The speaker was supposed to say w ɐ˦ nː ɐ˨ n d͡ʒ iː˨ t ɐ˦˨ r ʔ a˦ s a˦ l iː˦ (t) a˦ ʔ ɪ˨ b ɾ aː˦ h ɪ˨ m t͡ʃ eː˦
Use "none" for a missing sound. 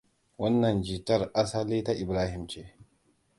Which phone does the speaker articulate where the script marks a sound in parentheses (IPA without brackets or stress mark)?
t